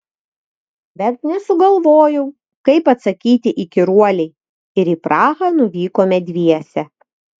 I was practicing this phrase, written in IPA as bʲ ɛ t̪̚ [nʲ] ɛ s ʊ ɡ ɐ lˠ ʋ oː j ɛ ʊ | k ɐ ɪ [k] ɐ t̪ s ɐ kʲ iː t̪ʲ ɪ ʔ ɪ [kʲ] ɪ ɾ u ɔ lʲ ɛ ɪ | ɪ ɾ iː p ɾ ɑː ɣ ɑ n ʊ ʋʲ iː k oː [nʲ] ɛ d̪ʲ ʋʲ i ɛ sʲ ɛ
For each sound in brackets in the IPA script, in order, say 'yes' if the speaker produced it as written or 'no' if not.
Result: yes, no, yes, no

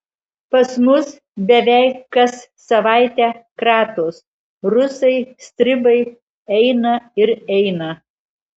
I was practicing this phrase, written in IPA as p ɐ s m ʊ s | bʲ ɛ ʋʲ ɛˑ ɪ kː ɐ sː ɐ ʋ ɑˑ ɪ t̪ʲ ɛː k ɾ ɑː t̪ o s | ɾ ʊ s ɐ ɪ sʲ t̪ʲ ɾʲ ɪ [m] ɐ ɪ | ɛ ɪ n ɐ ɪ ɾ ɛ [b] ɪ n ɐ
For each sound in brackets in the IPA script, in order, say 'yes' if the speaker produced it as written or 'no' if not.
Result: no, no

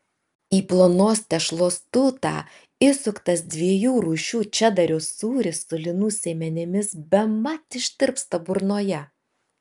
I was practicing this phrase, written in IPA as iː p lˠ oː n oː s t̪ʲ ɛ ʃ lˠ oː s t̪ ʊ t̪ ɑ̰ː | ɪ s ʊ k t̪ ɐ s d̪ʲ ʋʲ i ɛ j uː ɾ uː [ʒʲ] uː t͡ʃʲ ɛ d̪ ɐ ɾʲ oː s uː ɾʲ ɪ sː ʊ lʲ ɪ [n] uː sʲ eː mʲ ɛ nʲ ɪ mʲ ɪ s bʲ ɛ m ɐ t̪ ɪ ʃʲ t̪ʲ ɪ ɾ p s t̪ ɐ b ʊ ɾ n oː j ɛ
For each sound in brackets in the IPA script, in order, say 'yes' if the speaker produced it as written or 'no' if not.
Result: no, yes

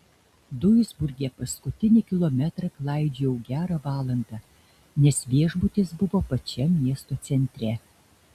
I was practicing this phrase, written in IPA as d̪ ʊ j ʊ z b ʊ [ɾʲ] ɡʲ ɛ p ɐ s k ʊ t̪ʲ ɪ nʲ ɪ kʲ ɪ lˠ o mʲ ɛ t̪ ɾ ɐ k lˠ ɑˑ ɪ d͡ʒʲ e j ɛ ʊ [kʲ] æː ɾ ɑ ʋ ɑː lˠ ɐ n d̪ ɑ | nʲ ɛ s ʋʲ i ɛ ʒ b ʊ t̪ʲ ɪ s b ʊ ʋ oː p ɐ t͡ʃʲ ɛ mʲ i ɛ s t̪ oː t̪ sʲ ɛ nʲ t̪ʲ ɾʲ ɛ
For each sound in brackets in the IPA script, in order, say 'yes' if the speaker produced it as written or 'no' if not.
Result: yes, no

